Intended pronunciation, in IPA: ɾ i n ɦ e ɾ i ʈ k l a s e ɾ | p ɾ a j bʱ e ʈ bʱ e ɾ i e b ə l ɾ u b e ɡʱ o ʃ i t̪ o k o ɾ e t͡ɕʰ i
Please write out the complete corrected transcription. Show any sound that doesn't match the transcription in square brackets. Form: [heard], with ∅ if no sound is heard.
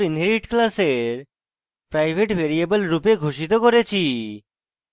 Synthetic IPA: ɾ i n ɦ e ɾ i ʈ k l a s e ɾ | p ɾ a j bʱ e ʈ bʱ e ɾ i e b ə l ɾ u [p] e ɡʱ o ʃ i t̪ o k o ɾ e t͡ɕʰ i